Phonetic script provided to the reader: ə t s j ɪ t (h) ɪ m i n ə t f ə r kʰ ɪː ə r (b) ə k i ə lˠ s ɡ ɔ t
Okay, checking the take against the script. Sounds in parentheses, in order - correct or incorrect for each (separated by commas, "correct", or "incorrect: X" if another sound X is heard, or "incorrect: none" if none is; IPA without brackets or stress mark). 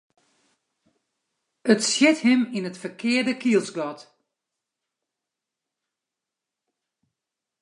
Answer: correct, incorrect: d